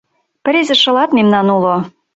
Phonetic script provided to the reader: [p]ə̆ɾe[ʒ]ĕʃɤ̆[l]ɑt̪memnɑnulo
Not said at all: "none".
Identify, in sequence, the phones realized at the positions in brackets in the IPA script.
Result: p, z, l

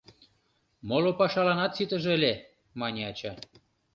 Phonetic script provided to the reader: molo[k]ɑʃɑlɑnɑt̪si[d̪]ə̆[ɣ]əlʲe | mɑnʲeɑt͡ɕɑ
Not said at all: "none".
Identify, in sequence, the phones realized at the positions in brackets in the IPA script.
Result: p, t̪, ʒ

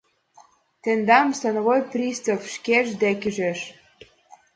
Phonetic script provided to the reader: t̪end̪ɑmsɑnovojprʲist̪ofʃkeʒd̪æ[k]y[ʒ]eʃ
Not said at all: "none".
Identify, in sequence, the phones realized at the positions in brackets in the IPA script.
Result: k, ʒ

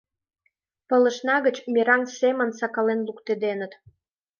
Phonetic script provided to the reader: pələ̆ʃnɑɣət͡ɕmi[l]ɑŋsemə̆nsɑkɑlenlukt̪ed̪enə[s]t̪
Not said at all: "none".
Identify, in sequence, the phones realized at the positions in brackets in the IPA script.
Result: ɾ, none

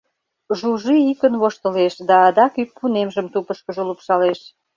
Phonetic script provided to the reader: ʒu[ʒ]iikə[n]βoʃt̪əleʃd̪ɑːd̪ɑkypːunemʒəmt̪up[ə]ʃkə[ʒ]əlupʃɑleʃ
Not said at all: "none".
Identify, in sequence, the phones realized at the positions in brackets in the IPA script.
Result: ʒ, n, ə, ʒ

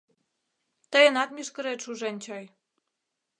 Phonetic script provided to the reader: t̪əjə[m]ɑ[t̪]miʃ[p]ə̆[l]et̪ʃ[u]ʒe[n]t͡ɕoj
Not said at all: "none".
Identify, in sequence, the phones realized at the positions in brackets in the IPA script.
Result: n, t̪, k, ɾ, u, n

